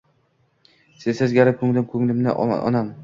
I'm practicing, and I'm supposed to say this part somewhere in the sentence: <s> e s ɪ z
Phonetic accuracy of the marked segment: correct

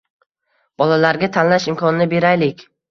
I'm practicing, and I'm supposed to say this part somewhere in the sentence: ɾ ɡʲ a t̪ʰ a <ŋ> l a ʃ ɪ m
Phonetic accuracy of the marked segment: incorrect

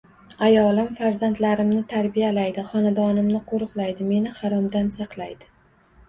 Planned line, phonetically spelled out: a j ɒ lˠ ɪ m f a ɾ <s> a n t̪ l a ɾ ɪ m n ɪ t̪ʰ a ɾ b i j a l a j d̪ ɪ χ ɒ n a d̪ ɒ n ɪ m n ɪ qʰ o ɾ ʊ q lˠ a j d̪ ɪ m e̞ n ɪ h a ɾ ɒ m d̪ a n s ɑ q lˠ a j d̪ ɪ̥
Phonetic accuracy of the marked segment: incorrect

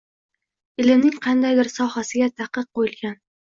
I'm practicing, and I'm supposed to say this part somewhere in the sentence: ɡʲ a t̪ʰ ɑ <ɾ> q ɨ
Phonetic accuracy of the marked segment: incorrect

